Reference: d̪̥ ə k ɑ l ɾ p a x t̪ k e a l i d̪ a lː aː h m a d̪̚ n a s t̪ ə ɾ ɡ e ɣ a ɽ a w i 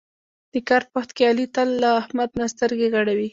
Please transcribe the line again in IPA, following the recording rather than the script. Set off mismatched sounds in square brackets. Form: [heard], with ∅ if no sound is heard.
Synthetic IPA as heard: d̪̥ ə k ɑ [∅] ɾ p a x t̪ k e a l i [t̪] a lː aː h m a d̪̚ n a s t̪ ə ɾ ɡ e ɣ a ɽ a w i